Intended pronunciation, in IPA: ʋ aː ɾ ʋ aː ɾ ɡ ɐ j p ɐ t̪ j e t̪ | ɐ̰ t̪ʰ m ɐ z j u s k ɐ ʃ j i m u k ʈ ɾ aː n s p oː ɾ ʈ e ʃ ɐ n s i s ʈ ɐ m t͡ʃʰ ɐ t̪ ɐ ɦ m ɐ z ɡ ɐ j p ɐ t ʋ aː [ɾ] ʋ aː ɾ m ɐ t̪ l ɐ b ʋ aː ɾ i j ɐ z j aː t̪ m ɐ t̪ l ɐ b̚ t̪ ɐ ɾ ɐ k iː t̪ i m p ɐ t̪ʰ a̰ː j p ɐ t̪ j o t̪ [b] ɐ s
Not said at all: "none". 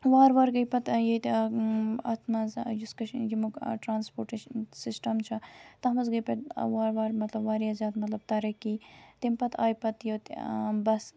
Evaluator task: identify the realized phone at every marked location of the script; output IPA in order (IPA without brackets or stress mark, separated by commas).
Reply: ɾ, b